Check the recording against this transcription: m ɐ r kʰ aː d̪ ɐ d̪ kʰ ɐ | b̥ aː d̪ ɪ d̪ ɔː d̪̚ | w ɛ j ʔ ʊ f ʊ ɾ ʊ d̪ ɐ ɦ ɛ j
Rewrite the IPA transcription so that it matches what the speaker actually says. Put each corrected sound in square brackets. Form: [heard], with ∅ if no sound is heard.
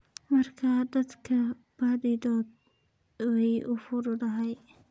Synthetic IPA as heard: m ɐ r kʰ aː d̪ ɐ d̪ kʰ ɐ | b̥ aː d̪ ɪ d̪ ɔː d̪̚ | w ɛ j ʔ ʊ f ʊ ɾ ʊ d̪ ɐ ɦ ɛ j